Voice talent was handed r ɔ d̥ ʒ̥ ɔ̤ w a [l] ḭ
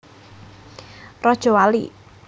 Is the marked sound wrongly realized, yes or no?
no